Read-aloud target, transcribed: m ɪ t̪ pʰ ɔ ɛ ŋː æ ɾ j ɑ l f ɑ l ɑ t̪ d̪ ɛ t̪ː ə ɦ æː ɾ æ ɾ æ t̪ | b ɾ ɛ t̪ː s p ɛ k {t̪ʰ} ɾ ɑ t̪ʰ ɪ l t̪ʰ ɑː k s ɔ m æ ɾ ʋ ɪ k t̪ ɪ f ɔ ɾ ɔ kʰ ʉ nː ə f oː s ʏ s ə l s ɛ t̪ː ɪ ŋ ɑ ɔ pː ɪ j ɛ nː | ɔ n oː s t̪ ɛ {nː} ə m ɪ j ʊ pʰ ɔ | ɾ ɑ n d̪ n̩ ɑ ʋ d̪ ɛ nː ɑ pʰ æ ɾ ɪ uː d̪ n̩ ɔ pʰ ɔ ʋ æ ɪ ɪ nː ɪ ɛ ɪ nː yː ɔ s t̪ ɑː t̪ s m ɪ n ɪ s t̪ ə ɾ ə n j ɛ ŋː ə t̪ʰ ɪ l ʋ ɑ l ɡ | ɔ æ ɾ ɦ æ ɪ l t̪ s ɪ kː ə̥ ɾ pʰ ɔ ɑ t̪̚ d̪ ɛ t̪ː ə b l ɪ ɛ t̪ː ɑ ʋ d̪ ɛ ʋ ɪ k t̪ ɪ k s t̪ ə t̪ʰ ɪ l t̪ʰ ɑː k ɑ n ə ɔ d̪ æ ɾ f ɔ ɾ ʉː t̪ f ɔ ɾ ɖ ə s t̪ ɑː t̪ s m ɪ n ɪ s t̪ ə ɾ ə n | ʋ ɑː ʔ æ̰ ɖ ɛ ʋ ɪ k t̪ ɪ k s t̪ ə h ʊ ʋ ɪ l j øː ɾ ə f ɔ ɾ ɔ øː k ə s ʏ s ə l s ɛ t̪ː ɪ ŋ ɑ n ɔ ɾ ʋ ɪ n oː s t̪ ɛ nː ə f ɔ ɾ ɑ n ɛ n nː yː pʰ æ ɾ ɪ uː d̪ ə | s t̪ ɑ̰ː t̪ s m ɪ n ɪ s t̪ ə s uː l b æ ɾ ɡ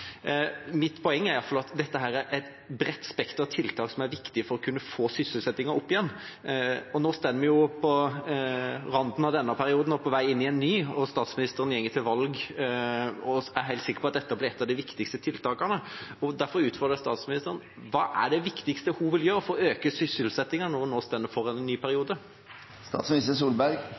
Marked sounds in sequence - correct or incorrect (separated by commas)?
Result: incorrect, correct